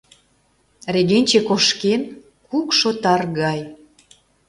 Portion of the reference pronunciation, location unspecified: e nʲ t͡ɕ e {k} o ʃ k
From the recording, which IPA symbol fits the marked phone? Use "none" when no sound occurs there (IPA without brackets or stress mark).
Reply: k